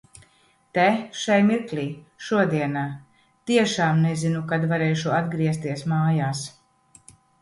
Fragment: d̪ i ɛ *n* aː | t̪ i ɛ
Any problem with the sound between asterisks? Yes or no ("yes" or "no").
no